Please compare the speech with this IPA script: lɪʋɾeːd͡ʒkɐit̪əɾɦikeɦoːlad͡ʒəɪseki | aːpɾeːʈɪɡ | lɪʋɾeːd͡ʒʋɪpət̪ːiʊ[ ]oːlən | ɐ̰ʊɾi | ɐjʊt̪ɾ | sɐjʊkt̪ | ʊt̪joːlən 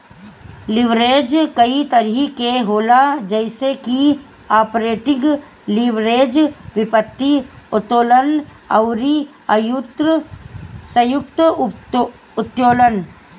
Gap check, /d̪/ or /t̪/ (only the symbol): t̪